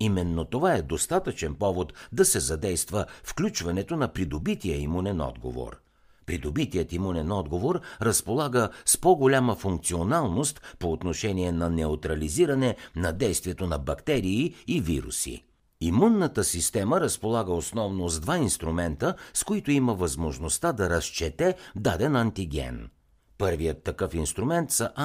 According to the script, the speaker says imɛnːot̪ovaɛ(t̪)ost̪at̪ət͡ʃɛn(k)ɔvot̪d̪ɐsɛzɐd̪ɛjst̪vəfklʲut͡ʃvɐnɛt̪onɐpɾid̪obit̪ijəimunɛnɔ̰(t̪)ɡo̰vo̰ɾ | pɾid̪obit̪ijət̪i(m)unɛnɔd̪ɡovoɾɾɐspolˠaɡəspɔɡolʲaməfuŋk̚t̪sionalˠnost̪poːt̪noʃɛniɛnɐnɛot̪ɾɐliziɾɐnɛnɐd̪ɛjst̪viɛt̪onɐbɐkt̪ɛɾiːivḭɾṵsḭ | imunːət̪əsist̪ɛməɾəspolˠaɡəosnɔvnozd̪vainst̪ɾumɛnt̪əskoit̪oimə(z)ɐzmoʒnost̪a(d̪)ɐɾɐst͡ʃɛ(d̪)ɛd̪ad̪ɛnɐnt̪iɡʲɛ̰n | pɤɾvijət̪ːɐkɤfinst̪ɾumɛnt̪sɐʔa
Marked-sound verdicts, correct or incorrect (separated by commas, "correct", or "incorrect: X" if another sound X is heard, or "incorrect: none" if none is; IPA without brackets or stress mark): incorrect: d̪, incorrect: p, incorrect: d̪, correct, incorrect: v, correct, incorrect: t̪